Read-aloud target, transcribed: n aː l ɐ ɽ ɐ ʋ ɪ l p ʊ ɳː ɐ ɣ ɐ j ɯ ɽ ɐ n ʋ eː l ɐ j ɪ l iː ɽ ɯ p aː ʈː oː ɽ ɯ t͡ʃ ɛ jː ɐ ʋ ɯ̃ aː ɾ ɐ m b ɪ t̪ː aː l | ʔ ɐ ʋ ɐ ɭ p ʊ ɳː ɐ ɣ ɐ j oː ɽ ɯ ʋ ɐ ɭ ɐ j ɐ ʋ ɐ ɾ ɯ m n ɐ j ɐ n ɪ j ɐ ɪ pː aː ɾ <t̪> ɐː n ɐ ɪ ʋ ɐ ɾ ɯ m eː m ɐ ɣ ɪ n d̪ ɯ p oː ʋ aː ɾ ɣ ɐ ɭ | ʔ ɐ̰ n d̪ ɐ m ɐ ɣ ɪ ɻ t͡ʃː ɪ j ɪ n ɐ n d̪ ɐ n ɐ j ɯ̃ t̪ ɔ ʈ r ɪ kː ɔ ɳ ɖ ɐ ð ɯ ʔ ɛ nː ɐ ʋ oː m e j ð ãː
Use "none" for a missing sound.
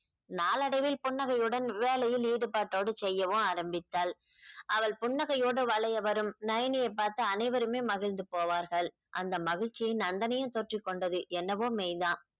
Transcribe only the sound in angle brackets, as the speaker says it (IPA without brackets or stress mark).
t̪